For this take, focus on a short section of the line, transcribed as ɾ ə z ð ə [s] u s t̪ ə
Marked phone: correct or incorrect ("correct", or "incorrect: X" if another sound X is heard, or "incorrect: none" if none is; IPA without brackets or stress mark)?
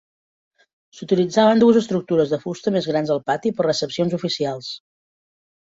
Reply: incorrect: f